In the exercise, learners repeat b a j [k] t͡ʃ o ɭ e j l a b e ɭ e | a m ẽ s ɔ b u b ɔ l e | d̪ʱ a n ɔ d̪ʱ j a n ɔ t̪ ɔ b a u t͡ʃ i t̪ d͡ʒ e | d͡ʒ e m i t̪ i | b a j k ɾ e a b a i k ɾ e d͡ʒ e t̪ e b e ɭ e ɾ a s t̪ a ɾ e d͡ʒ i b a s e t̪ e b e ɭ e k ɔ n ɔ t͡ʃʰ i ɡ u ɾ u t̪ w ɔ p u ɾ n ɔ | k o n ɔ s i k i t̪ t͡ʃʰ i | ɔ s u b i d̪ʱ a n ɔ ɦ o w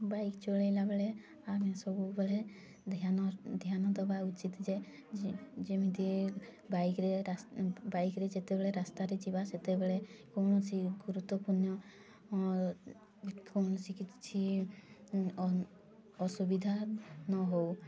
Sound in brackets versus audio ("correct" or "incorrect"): correct